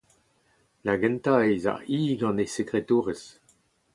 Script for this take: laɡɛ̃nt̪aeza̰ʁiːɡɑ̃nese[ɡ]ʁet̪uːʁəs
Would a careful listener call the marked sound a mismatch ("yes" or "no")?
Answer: yes